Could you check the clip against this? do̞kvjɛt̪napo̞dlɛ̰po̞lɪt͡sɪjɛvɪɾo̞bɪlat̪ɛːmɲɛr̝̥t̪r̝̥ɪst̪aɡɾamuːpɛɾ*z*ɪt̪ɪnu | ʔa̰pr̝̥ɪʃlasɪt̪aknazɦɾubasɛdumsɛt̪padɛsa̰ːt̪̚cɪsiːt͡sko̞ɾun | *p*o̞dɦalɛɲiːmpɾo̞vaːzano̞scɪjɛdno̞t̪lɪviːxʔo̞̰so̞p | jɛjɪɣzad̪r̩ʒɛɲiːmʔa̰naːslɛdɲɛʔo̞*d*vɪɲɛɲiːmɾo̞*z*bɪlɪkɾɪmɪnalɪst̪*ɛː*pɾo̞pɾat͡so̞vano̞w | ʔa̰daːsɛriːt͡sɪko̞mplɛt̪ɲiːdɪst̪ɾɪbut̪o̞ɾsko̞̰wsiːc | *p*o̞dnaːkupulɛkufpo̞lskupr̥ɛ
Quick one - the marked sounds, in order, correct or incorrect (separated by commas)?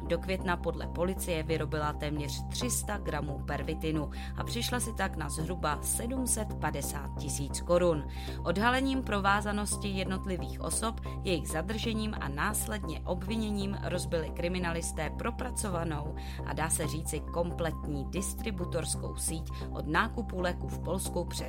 incorrect, incorrect, incorrect, correct, correct, incorrect